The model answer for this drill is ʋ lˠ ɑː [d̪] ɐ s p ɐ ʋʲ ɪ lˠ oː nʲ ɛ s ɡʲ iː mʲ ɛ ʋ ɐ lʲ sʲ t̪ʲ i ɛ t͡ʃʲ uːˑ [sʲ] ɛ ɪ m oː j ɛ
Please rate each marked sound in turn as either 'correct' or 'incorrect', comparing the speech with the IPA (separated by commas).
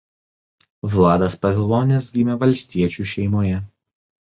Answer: correct, incorrect